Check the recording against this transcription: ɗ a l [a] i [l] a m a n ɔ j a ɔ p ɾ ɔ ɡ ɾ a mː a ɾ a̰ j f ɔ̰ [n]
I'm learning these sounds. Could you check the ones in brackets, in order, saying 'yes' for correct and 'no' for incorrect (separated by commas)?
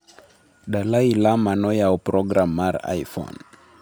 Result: yes, yes, yes